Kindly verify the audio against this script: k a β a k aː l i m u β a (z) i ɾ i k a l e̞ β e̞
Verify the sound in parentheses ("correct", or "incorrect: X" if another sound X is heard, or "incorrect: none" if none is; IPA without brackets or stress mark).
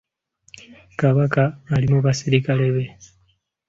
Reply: incorrect: s